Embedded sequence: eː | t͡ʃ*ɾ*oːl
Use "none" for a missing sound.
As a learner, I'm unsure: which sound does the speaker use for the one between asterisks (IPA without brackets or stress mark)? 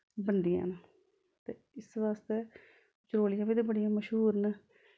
ɾ